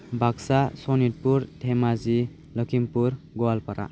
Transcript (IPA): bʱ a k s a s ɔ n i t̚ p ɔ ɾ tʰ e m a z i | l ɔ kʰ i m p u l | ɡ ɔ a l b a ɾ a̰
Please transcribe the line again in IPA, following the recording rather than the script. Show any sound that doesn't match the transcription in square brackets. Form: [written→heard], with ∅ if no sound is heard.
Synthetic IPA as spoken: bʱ a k s a s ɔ n i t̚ p [ɔ→u] ɾ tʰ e m a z i | l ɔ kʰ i m p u [l→ɾ] | ɡ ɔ a l [b→p] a ɾ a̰